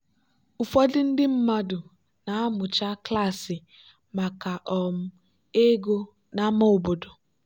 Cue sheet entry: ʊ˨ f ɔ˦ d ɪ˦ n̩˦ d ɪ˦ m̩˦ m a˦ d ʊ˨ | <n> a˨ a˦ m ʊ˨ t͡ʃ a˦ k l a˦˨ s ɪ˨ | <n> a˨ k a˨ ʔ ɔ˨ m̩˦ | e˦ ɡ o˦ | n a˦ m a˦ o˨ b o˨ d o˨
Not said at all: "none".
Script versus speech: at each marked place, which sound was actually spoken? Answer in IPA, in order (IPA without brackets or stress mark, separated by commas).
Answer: n, m